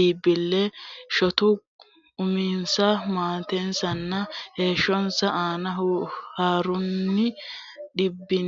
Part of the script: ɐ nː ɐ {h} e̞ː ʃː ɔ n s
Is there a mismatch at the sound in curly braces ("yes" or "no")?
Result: no